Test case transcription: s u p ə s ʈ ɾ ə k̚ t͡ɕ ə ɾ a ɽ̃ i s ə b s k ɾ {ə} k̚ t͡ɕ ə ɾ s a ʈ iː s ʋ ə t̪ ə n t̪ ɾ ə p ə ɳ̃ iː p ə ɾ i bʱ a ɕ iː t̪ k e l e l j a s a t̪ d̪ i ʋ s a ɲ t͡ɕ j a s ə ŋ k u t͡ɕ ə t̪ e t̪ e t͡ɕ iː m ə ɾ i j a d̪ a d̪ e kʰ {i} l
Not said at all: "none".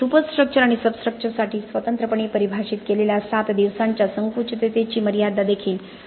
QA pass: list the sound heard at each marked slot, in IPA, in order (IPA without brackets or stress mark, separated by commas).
ə, iː